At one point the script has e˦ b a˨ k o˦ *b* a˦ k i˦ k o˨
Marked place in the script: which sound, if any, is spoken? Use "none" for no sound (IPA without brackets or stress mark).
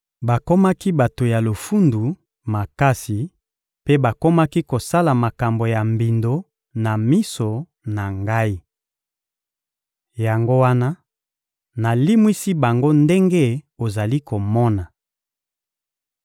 m